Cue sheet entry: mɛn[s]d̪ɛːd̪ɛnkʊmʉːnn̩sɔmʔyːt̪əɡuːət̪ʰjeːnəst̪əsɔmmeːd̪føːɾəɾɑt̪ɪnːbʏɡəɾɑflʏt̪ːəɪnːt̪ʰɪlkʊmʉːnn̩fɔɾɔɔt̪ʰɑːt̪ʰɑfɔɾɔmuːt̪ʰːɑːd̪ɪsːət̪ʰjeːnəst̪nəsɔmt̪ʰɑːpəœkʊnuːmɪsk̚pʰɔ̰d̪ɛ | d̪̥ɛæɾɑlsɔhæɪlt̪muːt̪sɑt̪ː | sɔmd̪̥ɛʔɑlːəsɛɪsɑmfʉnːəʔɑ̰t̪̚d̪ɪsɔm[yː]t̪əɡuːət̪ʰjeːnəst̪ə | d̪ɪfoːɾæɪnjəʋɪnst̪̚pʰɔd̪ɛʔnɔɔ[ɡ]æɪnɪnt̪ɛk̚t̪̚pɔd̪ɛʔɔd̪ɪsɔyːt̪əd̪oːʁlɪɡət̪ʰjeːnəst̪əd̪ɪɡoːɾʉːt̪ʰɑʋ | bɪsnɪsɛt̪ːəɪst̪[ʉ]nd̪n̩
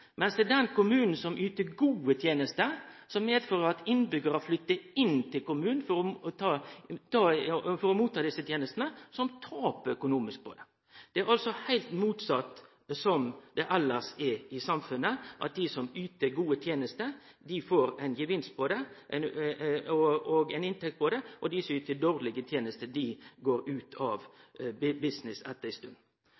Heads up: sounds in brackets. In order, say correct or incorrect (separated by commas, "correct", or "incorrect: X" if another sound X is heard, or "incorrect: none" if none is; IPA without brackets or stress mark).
correct, correct, correct, correct